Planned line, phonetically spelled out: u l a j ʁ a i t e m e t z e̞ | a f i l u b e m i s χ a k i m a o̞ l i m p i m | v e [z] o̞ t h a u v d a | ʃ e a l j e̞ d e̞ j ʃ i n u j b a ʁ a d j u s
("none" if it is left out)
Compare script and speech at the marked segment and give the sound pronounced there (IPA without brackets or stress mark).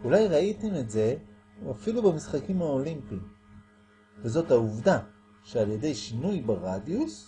z